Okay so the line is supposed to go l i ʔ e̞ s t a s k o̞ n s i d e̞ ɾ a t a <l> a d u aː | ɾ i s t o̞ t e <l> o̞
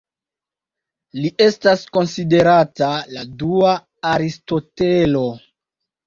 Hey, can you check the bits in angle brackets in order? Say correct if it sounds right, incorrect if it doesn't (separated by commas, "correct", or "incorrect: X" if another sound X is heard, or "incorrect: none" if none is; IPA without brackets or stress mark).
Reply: correct, correct